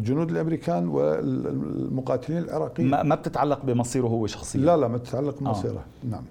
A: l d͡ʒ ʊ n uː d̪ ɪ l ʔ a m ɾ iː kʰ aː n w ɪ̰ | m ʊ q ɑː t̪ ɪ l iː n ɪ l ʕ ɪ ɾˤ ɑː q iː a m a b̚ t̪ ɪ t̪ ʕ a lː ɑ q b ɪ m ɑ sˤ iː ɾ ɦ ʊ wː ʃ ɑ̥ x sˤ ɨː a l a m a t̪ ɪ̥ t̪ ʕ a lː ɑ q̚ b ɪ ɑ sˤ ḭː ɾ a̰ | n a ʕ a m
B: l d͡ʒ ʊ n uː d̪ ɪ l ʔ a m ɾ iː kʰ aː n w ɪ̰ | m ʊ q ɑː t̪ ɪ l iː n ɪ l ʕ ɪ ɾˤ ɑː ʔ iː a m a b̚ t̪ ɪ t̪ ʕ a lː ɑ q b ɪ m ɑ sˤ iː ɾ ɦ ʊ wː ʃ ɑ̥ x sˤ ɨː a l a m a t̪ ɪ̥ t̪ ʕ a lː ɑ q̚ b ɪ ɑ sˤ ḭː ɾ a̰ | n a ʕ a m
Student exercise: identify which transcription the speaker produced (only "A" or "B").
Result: A